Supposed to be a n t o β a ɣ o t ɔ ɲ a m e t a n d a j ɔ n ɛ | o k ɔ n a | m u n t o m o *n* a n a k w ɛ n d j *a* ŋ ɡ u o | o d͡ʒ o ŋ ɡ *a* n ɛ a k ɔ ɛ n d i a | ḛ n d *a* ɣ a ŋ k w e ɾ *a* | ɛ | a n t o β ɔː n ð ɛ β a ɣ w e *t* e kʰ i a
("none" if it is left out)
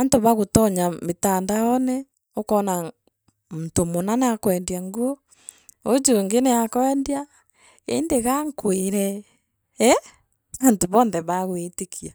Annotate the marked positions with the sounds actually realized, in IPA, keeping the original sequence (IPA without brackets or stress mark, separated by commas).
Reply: n, a, e, e, ɛ, t